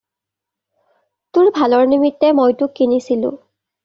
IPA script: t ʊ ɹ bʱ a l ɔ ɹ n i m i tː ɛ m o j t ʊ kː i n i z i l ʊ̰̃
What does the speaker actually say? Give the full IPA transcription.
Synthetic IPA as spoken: t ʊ ɹ bʱ a l ɔ ɹ n i m i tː ɛ m o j t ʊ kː i n i s i l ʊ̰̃